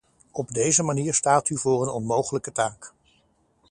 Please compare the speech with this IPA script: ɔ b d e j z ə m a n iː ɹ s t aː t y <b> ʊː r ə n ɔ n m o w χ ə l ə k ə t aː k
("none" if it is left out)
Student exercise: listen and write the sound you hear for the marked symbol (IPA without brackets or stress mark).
v